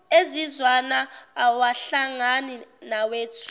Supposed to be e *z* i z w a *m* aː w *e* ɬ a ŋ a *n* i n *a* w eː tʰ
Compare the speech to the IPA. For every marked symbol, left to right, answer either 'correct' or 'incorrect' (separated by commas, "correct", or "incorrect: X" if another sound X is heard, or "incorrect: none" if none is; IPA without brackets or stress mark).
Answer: correct, incorrect: n, incorrect: a, correct, correct